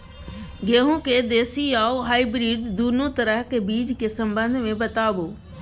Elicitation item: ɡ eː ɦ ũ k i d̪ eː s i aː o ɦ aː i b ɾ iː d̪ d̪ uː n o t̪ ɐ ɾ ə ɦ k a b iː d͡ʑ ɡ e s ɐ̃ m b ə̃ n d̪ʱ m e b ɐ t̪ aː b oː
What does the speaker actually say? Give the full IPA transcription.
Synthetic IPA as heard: ɡ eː ɦ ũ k e d̪ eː s i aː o ɦ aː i b ɾ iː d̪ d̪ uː n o t̪ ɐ ɾ ə ɦ k e b iː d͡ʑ k e s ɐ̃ m b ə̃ n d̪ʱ m ẽ b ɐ t̪ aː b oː